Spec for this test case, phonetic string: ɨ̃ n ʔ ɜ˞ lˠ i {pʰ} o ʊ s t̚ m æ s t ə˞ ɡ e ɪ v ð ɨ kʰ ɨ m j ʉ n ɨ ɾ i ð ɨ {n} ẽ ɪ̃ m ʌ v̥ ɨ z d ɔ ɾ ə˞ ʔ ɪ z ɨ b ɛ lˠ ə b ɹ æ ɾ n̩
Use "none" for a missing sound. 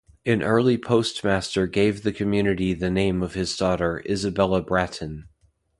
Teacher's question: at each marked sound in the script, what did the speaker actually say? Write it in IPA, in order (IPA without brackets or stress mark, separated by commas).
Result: pʰ, n